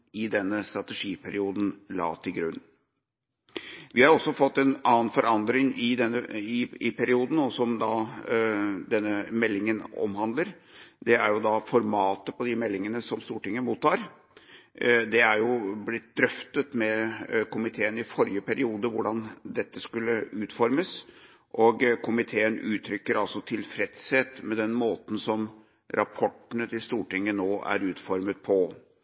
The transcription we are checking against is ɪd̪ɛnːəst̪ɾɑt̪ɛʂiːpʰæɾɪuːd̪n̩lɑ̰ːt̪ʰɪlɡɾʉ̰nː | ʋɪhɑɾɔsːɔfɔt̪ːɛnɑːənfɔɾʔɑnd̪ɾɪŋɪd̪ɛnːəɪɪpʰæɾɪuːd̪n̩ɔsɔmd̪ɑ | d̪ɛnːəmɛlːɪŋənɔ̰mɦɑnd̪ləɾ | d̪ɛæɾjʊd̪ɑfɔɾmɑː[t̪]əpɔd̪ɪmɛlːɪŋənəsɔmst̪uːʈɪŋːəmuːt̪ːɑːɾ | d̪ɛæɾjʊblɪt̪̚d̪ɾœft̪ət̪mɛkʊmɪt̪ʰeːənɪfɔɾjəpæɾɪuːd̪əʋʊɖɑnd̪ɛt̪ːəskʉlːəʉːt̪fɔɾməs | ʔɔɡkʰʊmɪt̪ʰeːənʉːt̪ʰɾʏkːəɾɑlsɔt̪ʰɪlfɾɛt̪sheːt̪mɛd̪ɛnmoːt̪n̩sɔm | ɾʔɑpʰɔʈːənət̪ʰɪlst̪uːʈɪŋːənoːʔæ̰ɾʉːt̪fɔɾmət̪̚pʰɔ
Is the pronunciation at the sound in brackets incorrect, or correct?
correct